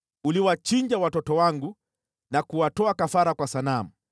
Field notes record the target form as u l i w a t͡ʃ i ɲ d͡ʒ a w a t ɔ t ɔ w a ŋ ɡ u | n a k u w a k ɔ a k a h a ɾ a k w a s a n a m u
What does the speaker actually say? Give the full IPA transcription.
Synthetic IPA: u l i w a t͡ʃ i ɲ d͡ʒ a w a t ɔ t ɔ w a ŋ ɡ u | n a k u w a t ɔ a k a f a ɾ a k w a s a n a m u

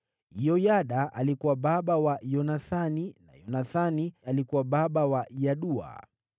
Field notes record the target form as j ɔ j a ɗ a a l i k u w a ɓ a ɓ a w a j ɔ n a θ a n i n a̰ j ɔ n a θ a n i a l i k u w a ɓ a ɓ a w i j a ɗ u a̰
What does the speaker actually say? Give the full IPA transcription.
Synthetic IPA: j ɔ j a ɗ a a l i k u w a ɓ a ɓ a w a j ɔ n a θ a n i n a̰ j ɔ n a θ a n i a l i k u w a ɓ a ɓ a w a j a ɗ u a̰

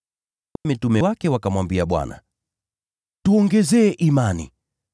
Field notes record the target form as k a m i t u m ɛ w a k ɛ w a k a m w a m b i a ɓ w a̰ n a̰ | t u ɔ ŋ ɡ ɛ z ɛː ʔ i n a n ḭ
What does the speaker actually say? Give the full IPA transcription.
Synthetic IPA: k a m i t u m ɛ w a k ɛ w a k a m w a m b i a ɓ w a̰ n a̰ | t u ɔ ŋ ɡ ɛ z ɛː ʔ i m a n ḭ

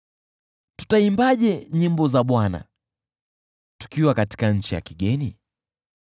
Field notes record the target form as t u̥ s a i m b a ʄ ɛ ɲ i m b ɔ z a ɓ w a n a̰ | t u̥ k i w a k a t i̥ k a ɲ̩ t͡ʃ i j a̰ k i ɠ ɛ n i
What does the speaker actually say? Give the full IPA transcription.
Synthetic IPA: t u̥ t a i m b a ʄ ɛ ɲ i m b ɔ z a ɓ w a n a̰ | t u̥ k i w a k a t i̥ k a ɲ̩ t͡ʃ i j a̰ k i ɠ ɛ n i

